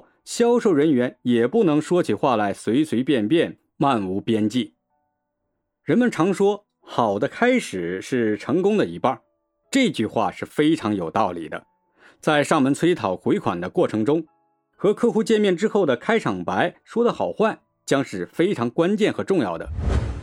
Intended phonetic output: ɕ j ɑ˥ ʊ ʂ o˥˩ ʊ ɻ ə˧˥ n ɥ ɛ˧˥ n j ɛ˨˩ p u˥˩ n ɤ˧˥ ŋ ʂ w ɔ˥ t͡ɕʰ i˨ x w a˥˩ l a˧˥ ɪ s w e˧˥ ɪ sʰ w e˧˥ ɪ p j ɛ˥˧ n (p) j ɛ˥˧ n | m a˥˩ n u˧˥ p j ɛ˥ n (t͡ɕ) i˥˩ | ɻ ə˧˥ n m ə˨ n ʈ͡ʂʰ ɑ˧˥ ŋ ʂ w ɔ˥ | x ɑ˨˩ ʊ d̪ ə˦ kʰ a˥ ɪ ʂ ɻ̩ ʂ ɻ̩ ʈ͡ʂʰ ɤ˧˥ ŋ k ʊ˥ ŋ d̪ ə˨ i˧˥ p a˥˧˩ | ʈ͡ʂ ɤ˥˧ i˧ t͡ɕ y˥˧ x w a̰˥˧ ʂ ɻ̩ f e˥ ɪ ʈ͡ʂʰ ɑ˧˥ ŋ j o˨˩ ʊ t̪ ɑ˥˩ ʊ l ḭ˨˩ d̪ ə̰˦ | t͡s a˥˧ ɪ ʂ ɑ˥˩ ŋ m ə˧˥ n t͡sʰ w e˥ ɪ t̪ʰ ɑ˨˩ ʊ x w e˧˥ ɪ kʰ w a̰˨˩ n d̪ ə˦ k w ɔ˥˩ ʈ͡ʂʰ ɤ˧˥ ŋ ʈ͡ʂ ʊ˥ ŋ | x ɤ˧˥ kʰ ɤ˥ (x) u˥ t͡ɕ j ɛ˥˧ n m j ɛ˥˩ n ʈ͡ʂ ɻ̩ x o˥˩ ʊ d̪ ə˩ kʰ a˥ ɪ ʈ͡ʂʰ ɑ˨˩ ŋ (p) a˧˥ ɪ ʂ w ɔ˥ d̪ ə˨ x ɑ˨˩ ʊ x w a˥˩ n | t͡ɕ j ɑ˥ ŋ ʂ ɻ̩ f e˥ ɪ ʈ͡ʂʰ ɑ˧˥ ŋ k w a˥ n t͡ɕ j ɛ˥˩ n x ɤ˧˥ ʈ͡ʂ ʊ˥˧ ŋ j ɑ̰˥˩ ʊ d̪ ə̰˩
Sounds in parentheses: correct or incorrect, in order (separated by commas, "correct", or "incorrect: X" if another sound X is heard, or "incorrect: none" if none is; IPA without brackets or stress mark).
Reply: correct, correct, correct, correct